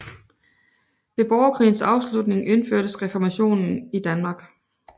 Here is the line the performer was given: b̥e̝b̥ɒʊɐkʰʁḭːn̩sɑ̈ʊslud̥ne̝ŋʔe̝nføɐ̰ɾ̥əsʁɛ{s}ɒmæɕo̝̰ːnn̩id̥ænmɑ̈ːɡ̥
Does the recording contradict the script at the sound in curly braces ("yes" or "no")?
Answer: yes